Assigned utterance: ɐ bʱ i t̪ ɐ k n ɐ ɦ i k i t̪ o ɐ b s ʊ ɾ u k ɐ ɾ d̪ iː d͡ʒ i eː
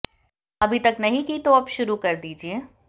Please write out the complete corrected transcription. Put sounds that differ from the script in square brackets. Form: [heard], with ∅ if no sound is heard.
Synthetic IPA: ɐ bʱ i t̪ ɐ k n ɐ ɦ [ĩ] k i t̪ o ɐ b [ʃ] ʊ ɾ u k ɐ ɾ d̪ iː d͡ʒ i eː